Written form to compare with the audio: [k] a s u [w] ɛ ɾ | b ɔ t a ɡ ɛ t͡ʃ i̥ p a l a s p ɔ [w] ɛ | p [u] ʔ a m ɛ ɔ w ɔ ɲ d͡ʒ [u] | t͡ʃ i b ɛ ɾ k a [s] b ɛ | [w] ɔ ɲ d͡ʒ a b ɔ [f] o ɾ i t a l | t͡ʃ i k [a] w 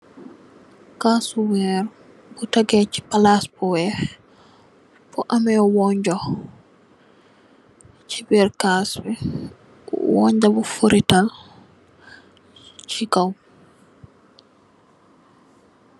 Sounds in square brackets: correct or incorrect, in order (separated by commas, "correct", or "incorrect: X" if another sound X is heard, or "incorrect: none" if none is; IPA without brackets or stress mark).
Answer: correct, correct, correct, incorrect: ɔ, incorrect: ɔ, correct, correct, correct, correct